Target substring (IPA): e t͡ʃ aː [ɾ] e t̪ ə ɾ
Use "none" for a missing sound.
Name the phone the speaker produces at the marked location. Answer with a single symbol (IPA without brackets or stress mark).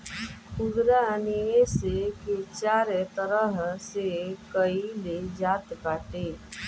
ɾ